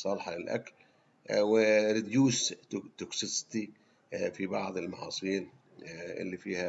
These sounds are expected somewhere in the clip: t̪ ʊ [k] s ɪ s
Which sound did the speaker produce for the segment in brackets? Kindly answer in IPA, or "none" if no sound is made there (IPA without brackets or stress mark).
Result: k